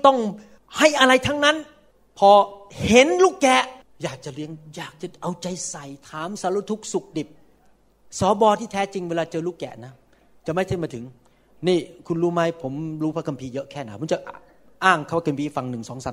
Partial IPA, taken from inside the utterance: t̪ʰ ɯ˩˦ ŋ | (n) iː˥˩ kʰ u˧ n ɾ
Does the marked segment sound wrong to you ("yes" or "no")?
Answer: no